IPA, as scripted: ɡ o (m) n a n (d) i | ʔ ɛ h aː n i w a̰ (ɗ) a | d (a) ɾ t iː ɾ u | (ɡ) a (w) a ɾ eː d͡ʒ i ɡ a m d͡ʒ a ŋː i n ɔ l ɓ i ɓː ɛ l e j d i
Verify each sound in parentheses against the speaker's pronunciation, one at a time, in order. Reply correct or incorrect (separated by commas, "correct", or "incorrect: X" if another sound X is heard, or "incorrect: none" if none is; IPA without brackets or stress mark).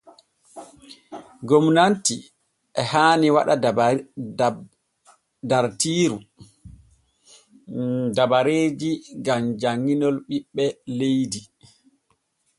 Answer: correct, incorrect: t, correct, correct, incorrect: d, incorrect: b